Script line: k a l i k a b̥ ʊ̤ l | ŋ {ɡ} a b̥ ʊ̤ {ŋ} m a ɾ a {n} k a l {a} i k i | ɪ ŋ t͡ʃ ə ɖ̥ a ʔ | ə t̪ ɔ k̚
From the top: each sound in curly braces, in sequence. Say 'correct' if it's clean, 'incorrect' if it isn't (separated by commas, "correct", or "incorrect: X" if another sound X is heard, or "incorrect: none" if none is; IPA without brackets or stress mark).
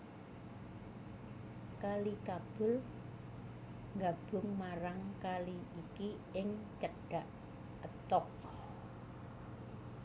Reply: correct, correct, incorrect: ŋ, incorrect: i